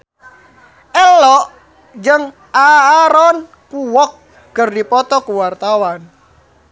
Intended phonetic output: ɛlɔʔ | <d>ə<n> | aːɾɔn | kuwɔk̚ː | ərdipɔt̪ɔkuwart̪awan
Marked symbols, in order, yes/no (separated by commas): no, no